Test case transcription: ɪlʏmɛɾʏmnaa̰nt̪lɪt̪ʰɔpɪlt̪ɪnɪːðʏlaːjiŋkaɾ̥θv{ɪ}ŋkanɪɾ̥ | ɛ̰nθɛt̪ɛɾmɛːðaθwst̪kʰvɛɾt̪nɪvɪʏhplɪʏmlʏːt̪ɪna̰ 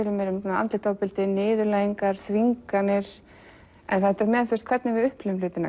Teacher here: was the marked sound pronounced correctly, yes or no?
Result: no